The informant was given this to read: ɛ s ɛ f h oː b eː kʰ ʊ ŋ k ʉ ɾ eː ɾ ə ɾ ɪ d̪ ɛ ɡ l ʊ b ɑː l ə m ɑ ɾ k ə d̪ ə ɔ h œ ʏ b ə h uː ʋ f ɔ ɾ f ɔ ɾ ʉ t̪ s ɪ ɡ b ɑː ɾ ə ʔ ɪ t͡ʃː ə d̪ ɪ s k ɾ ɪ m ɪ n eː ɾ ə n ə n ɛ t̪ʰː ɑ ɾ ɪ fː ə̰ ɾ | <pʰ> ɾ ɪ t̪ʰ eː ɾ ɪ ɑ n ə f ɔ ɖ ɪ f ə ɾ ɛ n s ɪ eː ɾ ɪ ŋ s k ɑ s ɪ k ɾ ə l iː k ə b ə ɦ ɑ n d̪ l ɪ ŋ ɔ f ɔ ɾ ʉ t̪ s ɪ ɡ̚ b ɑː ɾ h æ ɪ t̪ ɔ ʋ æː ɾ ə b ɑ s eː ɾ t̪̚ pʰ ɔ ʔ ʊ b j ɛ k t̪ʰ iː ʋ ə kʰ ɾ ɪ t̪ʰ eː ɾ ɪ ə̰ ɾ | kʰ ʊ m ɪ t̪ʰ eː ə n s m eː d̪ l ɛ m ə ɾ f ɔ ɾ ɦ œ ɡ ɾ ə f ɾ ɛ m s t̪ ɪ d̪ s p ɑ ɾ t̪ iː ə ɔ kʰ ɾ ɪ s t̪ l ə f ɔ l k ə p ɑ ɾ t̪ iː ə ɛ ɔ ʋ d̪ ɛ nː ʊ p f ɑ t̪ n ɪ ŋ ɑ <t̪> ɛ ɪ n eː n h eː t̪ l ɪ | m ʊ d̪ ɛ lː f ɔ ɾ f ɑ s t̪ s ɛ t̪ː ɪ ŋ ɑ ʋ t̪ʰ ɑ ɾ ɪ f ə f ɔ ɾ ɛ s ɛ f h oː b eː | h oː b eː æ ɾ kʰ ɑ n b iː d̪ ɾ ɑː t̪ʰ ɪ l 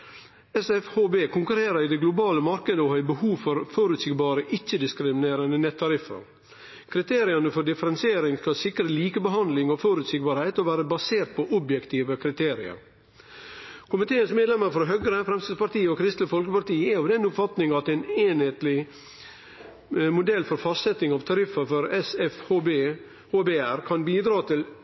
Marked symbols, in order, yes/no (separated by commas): no, yes